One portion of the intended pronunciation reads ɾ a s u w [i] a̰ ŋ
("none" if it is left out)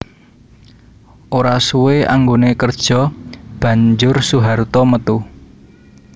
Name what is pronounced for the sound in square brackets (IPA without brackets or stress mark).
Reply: e